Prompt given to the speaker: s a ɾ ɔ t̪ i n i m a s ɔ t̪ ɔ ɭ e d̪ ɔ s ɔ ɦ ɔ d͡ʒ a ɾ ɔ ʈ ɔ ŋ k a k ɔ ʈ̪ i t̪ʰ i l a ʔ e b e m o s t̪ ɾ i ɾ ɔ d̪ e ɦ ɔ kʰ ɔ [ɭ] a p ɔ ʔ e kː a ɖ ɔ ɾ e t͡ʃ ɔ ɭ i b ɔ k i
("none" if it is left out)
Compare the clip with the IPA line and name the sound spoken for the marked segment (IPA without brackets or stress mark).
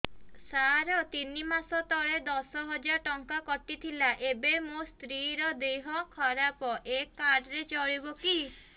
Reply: ɾ